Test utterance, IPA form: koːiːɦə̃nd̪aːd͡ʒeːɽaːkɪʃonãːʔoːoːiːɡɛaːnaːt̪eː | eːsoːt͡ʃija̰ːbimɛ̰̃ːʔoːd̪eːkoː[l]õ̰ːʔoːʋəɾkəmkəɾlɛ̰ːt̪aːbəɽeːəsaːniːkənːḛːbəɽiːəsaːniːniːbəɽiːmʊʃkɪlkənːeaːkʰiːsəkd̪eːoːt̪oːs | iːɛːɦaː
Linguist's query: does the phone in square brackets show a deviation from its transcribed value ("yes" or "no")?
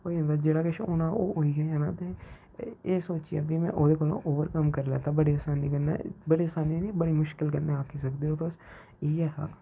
no